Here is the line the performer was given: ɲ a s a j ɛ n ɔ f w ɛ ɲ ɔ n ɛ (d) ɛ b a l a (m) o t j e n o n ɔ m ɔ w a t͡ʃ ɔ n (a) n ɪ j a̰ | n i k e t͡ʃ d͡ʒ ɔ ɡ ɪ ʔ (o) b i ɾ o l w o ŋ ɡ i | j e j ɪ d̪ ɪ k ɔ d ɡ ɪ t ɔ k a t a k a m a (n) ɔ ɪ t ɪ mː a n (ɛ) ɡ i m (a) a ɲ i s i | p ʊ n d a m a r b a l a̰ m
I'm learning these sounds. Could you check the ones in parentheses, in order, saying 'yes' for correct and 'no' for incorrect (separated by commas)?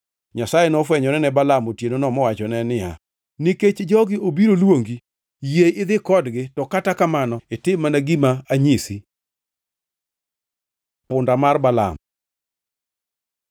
no, yes, no, yes, yes, no, yes